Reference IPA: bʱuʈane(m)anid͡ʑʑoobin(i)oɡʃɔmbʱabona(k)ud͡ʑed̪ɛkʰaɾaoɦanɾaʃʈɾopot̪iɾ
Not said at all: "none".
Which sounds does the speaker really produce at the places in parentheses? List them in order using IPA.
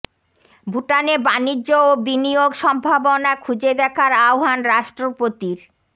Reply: b, i, kʰ

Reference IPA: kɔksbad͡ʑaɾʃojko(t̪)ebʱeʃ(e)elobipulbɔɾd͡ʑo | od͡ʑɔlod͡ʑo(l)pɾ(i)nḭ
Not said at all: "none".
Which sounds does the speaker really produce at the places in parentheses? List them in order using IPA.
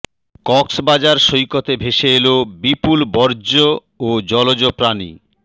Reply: t̪, e, none, a

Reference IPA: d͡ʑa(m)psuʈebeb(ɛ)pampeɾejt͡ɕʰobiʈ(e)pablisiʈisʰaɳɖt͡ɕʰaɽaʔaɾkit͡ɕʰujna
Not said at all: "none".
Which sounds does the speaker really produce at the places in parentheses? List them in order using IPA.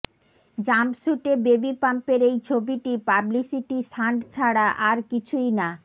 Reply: m, i, i

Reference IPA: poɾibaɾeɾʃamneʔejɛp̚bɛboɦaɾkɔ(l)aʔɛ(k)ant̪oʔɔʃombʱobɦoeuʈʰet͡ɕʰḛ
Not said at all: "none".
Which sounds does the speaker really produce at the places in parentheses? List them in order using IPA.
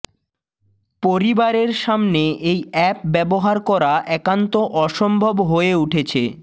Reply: ɾ, k

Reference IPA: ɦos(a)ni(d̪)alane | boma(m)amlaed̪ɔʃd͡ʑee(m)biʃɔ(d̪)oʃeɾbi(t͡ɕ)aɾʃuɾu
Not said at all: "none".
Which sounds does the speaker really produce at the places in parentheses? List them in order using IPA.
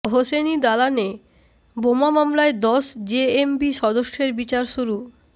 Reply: e, d̪, m, m, d̪, t͡ɕ

